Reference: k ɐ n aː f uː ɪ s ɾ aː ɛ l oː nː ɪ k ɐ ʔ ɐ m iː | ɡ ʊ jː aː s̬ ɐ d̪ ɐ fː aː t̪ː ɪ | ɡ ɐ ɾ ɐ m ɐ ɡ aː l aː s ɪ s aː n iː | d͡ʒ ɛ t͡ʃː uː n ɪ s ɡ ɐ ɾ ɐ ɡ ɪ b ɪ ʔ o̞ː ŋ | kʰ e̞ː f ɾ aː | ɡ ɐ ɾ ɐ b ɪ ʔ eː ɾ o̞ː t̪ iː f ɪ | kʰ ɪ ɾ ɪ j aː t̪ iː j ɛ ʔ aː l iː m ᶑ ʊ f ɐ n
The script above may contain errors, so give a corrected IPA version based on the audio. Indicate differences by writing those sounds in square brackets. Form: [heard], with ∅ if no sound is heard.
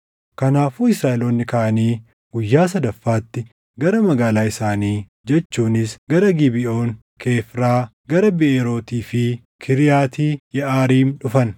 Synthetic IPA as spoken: k ɐ n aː f uː ɪ s ɾ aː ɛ l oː nː ɪ k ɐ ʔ ɐ [n] iː | ɡ ʊ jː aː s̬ ɐ d̪ ɐ fː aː t̪ː ɪ | ɡ ɐ ɾ ɐ m ɐ ɡ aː l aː [∅] ɪ s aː n iː | d͡ʒ ɛ t͡ʃː uː n ɪ s ɡ ɐ ɾ ɐ ɡ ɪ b ɪ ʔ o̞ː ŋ | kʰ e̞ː f ɾ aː | ɡ ɐ ɾ ɐ b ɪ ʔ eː ɾ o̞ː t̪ iː f ɪ | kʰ ɪ ɾ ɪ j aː t̪ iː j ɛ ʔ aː [ɾ] iː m ᶑ ʊ f ɐ n